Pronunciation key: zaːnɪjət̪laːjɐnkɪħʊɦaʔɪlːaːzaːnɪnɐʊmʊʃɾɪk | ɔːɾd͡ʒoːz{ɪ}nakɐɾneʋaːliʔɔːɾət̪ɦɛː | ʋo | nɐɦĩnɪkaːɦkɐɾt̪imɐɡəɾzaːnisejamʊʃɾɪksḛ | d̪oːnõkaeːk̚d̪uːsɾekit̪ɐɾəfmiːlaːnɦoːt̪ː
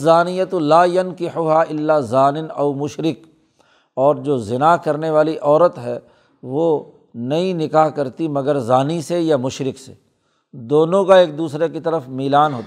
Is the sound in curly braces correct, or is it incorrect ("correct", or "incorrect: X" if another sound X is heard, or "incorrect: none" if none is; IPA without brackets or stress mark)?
correct